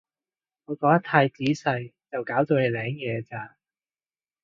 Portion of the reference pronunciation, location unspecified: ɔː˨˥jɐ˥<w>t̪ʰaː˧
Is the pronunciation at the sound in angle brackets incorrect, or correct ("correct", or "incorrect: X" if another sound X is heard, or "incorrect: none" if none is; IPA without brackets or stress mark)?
incorrect: none